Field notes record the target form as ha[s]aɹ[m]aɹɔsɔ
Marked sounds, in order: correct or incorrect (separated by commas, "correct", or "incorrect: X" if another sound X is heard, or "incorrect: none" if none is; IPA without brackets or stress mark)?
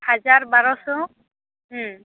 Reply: incorrect: z, incorrect: b